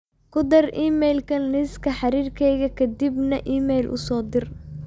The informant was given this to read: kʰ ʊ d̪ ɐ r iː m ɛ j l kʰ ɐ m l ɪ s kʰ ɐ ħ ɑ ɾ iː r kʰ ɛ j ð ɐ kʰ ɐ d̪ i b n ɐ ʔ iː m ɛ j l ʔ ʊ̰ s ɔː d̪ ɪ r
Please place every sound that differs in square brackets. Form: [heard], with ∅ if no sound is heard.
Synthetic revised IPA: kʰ ʊ d̪ ɐ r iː m ɛ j l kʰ ɐ [n] l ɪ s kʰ ɐ ħ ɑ ɾ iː r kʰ ɛ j [ɣ] ɐ kʰ ɐ d̪ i b n ɐ ʔ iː m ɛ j l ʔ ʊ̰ s ɔː d̪ ɪ r